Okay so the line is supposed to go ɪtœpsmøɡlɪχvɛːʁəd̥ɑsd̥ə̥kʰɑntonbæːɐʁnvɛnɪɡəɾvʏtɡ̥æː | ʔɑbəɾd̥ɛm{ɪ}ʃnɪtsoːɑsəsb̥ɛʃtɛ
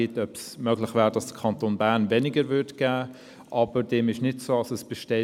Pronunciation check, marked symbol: correct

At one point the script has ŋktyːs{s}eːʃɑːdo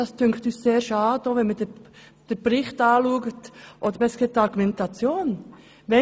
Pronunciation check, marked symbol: correct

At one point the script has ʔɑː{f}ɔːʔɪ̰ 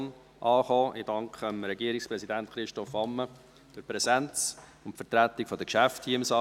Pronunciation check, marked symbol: incorrect: χ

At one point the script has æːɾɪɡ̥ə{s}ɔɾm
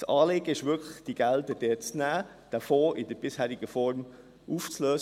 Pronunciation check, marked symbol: incorrect: f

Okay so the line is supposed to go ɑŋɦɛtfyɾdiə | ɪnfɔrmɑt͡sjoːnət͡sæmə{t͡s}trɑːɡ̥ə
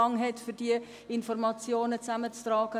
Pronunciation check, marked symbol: correct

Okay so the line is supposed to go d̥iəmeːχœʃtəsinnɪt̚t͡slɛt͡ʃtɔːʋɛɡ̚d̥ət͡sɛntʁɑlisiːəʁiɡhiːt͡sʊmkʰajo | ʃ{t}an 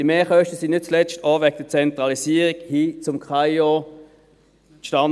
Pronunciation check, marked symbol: correct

